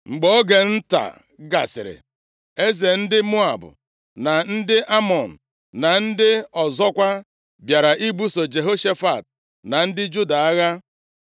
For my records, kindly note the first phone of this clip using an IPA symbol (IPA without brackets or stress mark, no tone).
ŋ͡m̩